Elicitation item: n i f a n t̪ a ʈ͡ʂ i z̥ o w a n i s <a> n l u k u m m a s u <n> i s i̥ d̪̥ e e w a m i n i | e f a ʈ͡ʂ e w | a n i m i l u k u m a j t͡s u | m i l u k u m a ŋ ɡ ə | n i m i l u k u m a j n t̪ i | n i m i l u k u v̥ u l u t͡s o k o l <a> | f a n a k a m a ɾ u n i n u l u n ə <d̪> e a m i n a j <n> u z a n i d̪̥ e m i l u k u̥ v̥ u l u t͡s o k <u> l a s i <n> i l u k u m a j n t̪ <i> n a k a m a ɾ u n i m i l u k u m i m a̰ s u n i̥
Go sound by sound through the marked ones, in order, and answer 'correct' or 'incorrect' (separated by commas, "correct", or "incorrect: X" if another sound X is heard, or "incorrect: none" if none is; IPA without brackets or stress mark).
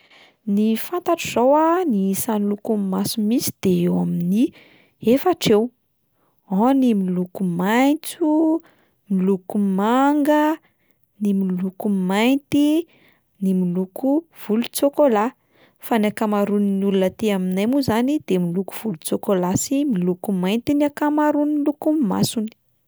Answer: correct, incorrect: m, correct, incorrect: t̪, incorrect: m, incorrect: o, incorrect: m, correct